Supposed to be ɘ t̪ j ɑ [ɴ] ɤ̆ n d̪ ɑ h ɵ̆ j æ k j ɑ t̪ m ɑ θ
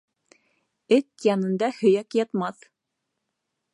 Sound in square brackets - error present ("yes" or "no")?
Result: yes